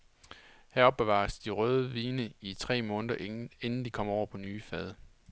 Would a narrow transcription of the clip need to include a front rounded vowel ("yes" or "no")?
yes